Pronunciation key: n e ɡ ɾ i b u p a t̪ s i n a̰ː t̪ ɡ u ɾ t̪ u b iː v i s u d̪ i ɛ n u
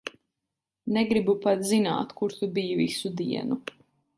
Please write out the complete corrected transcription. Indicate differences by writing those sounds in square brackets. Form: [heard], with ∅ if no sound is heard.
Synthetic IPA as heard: n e ɡ ɾ i b u p a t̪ [z] i n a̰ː t̪ [k] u ɾ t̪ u b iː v i s u d̪ i ɛ n u